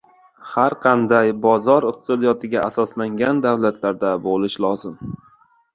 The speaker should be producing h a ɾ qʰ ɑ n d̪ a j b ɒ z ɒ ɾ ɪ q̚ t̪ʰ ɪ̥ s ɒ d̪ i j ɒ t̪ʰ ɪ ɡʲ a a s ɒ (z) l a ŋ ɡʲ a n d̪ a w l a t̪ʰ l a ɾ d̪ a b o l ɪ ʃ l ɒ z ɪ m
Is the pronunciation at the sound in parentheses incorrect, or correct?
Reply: incorrect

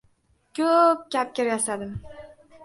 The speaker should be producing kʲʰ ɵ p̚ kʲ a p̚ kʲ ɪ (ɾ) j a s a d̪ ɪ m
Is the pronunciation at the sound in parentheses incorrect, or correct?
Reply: correct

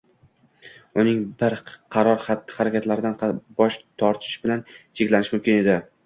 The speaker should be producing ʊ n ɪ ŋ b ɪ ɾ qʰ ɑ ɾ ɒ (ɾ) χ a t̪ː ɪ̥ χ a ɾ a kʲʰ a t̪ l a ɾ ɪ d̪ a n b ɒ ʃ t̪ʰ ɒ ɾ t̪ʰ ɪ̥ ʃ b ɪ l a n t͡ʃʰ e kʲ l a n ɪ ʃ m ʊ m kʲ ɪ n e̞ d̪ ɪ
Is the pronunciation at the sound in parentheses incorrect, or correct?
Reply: correct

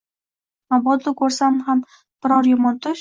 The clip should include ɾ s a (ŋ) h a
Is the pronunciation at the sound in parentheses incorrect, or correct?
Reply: incorrect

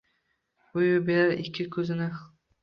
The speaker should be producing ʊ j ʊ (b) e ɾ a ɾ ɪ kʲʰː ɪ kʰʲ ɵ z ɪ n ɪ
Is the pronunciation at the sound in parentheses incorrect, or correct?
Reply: correct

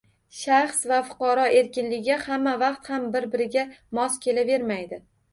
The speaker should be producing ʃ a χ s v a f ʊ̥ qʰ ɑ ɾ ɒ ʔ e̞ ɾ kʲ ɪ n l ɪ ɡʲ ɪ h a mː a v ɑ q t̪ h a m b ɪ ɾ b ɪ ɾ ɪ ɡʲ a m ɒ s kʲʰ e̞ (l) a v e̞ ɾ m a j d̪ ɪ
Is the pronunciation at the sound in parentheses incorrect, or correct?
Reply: correct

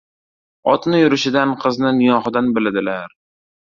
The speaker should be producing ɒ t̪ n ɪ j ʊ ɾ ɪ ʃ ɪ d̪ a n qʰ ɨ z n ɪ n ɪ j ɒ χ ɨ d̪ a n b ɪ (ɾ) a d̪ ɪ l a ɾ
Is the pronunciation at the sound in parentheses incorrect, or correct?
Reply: incorrect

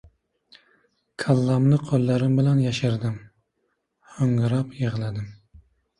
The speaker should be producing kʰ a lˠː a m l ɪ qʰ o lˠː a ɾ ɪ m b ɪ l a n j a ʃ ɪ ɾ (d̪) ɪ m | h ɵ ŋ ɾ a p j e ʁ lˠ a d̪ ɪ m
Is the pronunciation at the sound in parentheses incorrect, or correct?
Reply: correct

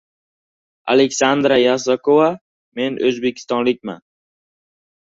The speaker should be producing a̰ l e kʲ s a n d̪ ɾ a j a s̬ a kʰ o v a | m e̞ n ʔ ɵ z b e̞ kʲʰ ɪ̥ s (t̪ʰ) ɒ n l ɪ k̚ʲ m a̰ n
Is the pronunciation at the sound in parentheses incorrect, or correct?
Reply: incorrect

